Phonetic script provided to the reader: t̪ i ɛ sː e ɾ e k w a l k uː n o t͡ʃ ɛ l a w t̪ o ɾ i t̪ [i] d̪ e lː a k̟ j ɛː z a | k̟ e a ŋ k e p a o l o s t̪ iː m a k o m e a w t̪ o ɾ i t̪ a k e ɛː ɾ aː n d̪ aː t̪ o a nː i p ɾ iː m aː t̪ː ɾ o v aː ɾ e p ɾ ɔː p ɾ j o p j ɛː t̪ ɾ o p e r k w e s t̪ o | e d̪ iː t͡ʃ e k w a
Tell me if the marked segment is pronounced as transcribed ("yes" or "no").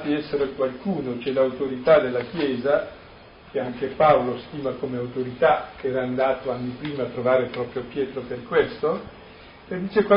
no